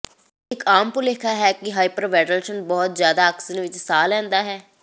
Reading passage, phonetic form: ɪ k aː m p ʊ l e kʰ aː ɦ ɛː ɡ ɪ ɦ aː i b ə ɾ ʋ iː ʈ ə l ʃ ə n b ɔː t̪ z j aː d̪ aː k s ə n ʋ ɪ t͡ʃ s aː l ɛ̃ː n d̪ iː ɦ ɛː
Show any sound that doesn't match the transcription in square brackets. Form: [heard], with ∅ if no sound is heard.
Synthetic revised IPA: ɪ k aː m p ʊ l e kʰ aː ɦ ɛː [k] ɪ ɦ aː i [p] ə ɾ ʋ [ɛː] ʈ ə l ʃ ə n b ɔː t̪ z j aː d̪ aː k s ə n ʋ ɪ t͡ʃ s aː l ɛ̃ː n d̪ [aː] ɦ ɛː